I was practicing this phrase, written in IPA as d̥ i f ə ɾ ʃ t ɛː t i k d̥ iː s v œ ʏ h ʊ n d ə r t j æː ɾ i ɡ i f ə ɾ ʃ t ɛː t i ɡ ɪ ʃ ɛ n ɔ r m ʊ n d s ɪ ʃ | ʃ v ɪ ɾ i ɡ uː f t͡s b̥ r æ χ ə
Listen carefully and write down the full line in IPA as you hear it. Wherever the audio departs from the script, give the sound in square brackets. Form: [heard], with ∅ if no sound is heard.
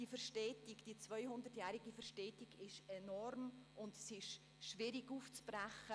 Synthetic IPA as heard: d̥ i f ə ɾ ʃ t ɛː t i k d̥ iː [t͡s] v œ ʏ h ʊ n d ə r t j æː ɾ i ɡ i f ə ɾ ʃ t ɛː t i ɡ ɪ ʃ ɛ n ɔ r m ʊ n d s ɪ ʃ | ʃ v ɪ ɾ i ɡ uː f t͡s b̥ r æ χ ə